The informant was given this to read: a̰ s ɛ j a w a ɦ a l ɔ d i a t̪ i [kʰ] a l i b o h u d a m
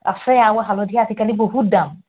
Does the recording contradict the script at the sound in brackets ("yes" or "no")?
yes